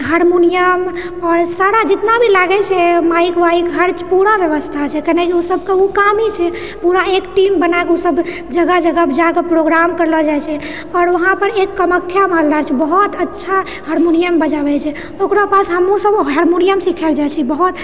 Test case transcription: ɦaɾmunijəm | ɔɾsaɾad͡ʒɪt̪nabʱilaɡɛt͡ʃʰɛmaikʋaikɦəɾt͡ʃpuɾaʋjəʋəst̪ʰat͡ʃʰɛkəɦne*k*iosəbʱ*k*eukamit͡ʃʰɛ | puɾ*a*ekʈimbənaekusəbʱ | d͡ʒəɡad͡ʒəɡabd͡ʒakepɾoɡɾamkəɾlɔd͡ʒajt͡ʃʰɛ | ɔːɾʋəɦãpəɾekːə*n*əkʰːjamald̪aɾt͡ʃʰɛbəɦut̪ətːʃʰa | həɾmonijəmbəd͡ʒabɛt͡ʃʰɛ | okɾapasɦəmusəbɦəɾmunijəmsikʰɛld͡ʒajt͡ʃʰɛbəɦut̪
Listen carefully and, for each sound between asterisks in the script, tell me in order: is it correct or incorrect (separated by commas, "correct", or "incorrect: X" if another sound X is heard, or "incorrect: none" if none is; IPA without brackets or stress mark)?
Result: correct, correct, correct, incorrect: m